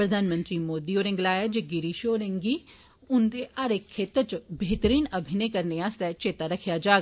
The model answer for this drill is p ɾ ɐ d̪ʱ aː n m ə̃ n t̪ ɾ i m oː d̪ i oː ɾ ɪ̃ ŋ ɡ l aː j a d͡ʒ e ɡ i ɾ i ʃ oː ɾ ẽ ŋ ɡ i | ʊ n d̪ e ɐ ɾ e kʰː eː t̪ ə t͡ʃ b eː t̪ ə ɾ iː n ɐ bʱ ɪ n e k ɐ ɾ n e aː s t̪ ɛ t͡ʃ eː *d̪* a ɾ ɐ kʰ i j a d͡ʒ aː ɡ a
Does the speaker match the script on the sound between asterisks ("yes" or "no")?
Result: no